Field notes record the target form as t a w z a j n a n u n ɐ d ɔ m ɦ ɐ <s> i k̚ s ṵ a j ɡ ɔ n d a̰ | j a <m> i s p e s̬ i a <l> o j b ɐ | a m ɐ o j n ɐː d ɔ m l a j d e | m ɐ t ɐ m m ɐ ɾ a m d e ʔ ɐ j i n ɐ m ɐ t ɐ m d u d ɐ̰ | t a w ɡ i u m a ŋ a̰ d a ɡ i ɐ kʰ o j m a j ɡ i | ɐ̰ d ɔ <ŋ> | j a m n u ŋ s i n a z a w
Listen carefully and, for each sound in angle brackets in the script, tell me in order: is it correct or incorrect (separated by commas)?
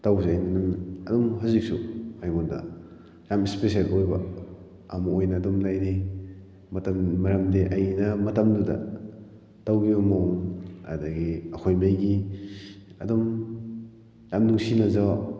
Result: incorrect, correct, correct, incorrect